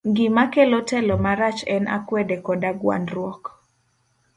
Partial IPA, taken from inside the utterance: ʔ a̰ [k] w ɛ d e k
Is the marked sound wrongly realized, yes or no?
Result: no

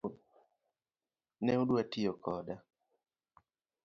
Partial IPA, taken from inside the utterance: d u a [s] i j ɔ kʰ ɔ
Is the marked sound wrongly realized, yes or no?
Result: yes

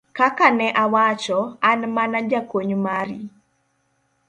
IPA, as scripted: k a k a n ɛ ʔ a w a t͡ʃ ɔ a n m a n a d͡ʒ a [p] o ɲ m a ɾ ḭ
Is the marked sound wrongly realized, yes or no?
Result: yes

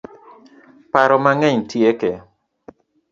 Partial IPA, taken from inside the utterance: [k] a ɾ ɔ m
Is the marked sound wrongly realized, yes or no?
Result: yes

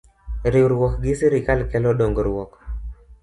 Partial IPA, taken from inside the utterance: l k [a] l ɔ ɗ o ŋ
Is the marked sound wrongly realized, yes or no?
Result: yes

